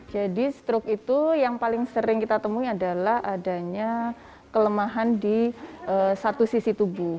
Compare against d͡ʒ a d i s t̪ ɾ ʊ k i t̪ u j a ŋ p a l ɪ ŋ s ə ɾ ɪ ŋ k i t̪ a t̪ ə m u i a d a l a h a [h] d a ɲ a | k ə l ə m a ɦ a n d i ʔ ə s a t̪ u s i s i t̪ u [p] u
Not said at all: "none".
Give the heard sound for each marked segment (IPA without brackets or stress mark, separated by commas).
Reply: none, b